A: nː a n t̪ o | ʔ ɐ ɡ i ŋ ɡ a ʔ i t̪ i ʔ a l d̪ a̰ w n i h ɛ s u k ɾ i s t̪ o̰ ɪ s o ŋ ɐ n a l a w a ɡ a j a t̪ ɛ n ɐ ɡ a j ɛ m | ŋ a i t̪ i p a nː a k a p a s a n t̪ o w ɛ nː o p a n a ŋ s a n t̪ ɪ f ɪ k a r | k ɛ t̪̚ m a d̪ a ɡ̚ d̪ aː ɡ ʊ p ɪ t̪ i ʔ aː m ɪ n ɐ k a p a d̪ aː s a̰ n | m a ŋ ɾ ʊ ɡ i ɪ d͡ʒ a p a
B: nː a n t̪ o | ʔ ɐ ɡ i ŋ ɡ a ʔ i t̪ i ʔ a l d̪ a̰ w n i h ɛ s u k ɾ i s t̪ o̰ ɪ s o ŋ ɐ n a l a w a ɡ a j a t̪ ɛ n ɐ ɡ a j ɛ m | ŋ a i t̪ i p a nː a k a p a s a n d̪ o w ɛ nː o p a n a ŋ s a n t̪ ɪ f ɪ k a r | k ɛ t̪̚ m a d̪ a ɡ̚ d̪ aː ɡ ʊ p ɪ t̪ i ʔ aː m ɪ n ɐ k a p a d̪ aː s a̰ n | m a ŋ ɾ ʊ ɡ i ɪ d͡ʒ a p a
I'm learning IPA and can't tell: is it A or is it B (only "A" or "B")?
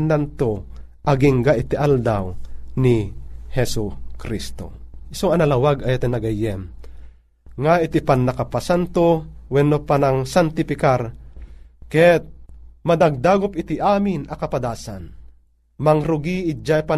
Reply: A